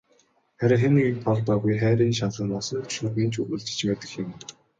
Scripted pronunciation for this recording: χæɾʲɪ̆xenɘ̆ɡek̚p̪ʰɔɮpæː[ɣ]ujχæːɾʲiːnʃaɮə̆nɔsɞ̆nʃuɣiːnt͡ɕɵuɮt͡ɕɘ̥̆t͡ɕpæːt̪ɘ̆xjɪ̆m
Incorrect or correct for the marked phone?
correct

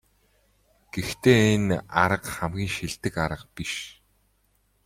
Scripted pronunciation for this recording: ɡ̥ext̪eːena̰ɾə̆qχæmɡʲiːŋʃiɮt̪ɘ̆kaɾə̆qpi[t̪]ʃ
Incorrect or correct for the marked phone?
incorrect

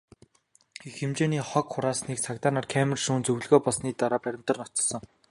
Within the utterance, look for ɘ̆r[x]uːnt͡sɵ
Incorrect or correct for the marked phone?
incorrect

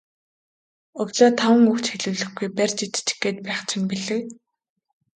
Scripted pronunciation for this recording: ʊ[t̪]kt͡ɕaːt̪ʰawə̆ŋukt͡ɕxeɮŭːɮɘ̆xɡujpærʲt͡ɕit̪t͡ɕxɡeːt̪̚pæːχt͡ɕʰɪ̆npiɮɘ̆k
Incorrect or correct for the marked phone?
incorrect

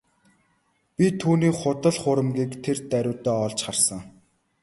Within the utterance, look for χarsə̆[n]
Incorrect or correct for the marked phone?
incorrect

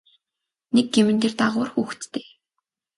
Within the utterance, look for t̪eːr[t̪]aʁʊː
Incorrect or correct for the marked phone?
correct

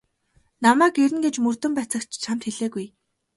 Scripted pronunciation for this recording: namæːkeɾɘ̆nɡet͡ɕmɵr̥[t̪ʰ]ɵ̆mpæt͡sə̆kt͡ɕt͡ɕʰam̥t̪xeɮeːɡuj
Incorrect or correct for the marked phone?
incorrect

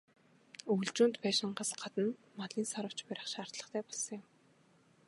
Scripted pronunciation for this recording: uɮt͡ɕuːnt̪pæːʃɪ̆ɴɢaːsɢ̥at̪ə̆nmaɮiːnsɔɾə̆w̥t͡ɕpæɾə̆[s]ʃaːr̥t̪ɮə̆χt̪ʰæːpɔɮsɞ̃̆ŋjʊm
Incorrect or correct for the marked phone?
incorrect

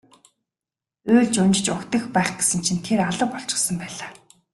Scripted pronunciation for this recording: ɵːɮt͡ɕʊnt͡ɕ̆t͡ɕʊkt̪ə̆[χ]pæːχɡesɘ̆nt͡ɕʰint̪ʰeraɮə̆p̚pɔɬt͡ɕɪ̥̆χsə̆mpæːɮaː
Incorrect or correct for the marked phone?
incorrect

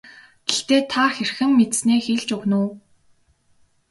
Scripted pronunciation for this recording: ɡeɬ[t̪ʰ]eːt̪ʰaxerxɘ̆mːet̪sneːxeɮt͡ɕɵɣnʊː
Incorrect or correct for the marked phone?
incorrect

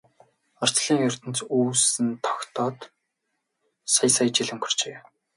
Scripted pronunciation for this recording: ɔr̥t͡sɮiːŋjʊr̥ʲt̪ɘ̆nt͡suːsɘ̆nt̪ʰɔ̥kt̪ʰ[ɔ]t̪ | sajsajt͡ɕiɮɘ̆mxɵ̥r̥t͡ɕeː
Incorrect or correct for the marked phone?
incorrect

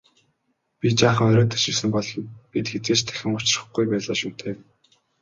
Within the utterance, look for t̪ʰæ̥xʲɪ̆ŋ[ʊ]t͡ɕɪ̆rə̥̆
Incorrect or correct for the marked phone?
correct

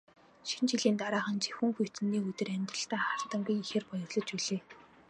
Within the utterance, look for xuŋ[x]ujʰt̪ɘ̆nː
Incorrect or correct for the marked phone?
correct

